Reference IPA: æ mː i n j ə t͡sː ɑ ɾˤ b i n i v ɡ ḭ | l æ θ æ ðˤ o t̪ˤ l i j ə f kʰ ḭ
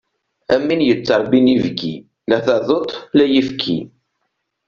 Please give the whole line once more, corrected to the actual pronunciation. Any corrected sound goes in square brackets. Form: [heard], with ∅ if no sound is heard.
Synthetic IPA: æ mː i n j ə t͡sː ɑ ɾˤ b i n i v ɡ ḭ | l æ θ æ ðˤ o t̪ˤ l [æ] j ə f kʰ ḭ